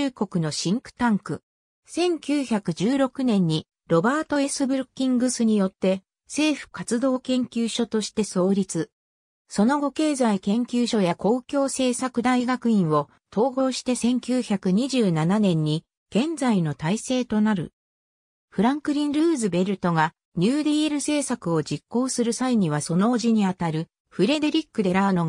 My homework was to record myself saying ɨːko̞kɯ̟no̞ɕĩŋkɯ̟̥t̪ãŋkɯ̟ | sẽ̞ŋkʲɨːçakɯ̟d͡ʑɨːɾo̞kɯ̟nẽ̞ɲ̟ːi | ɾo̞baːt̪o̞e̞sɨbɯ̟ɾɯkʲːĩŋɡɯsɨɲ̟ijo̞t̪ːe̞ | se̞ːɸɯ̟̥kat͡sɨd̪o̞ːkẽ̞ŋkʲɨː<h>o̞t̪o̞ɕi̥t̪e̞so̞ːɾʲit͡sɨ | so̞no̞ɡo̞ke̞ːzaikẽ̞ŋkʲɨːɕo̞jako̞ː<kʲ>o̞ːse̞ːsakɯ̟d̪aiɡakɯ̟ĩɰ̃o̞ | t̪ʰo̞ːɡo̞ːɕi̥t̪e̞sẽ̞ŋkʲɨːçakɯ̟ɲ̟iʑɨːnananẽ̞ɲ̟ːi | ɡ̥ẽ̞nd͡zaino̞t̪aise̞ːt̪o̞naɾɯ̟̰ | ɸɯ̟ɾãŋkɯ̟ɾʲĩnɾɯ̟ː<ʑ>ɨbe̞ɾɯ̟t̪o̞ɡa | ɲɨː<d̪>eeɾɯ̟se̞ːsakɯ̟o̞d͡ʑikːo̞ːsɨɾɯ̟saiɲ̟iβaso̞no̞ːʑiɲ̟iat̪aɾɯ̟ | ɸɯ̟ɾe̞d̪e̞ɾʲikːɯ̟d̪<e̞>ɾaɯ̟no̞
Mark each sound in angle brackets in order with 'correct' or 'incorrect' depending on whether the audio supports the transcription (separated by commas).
incorrect, correct, incorrect, correct, correct